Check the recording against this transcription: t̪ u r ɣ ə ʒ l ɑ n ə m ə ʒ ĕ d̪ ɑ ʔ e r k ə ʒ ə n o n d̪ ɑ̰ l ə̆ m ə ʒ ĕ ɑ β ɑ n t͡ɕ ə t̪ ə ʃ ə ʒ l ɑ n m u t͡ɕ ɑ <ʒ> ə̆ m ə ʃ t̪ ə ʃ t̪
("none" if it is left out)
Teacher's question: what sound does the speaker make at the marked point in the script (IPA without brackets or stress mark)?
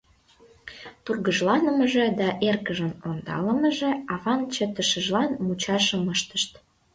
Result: ʃ